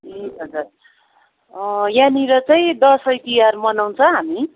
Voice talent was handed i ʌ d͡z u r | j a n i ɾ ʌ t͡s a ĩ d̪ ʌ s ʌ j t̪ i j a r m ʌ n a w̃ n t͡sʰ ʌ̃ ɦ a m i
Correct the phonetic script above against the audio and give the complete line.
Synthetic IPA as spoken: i ʌ d͡z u r | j a n i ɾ ʌ t͡s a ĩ d̪ ʌ s ʌ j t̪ i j a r m ʌ n a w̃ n t͡sʰ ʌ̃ ɦ a m i